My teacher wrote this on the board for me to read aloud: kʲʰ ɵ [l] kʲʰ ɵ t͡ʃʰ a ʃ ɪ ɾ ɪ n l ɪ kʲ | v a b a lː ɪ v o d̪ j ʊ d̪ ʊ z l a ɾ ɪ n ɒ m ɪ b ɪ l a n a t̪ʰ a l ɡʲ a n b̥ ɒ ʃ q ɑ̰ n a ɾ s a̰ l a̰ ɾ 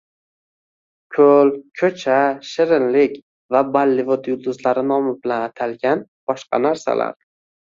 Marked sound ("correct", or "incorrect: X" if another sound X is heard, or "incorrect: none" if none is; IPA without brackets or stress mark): correct